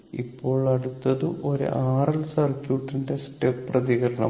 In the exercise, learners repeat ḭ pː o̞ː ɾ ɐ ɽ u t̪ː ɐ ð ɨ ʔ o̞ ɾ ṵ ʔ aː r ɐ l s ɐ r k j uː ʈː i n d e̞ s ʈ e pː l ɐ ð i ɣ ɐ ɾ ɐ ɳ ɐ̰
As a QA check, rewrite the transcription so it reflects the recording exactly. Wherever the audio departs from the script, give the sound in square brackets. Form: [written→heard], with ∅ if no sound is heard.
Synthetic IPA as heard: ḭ pː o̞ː [ɾ→ɭ] ɐ ɽ u t̪ː ɐ ð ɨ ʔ o̞ ɾ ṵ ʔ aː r ɐ l s ɐ r k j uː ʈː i n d e̞ s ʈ e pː [l→r] ɐ ð i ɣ ɐ ɾ ɐ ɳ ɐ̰